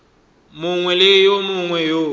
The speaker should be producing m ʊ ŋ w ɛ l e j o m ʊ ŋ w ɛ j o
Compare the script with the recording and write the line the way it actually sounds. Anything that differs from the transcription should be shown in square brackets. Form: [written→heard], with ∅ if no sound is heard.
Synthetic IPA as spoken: m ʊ ŋ w ɛ l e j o m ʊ ŋ w ɛ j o